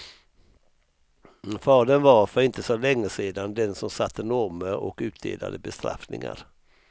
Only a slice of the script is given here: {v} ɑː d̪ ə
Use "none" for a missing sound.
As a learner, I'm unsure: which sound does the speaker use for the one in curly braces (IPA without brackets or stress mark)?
f